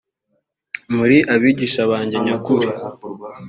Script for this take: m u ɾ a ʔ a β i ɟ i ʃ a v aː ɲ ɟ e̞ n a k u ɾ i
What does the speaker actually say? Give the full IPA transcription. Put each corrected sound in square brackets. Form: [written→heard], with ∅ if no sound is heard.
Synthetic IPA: m u ɾ [a→i] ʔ a β i ɟ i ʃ a [v→β] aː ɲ ɟ e̞ [n→ɲ] a k u ɾ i